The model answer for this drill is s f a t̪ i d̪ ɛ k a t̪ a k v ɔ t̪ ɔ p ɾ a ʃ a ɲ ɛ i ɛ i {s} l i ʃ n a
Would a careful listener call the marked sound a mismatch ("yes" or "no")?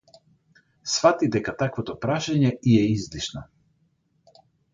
yes